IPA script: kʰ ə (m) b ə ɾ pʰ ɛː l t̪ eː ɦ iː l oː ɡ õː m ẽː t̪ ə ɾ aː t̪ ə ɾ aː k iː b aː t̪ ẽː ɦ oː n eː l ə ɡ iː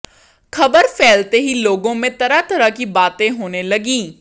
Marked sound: incorrect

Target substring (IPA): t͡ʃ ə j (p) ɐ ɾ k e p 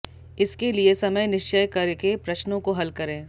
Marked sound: incorrect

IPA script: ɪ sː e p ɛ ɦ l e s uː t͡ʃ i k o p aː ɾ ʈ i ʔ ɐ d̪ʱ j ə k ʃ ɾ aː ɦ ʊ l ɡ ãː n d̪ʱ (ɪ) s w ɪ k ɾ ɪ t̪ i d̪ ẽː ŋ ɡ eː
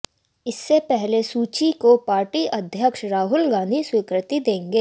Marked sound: incorrect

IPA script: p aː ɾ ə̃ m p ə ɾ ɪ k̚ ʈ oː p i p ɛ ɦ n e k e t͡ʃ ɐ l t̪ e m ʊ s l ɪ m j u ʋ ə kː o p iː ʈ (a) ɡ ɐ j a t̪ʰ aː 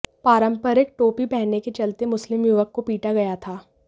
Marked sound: correct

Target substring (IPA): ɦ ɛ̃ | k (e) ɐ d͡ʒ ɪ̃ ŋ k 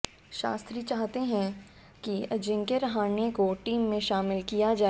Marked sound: incorrect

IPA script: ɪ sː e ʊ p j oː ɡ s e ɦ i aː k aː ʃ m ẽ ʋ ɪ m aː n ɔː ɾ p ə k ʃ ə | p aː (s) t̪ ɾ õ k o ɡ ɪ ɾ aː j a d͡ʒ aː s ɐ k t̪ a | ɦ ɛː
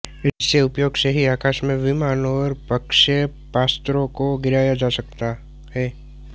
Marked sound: correct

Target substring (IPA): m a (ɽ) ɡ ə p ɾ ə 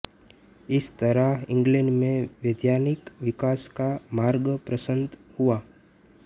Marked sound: incorrect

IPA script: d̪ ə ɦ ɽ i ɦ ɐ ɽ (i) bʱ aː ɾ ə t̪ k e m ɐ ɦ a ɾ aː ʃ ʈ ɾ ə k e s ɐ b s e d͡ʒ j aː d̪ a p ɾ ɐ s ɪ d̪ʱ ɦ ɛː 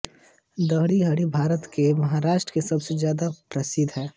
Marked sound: correct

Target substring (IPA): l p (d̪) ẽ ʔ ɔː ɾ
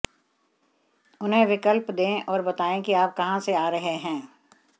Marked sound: correct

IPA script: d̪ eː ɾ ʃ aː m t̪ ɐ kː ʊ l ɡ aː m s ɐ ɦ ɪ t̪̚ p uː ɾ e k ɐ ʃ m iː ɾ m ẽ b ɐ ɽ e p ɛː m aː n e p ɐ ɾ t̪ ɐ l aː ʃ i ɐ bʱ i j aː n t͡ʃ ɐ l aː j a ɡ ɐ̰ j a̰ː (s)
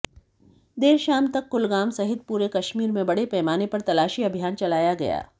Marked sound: incorrect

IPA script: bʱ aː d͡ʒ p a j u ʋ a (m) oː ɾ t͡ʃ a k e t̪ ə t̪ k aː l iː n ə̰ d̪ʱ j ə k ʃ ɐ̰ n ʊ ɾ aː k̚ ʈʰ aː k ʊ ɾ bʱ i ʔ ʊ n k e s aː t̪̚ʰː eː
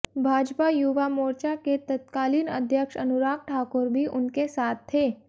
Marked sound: correct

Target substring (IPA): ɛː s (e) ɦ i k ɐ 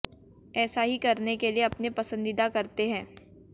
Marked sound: incorrect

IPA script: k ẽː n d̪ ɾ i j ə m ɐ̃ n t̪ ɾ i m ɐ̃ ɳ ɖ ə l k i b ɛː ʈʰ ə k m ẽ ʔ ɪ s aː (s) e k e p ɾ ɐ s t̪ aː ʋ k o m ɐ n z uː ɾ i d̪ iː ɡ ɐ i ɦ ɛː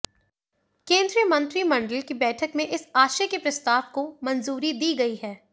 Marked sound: incorrect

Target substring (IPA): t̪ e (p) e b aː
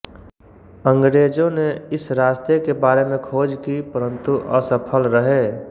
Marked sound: incorrect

